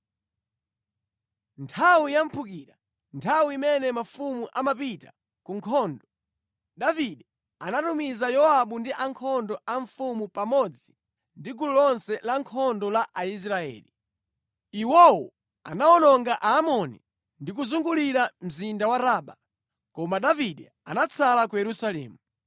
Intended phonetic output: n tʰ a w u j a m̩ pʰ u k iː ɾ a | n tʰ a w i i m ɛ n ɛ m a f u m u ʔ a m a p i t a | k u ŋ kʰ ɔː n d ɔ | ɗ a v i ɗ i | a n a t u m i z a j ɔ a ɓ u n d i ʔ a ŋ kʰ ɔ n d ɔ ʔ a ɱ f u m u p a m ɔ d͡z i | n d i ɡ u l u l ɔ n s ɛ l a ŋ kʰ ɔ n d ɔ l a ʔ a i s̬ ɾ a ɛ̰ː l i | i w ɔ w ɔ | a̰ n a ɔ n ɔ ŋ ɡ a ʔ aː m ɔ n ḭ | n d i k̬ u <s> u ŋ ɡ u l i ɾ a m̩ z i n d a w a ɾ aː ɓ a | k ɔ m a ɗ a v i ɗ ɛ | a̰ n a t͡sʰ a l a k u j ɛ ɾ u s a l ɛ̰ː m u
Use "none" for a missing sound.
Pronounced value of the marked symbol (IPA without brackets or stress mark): z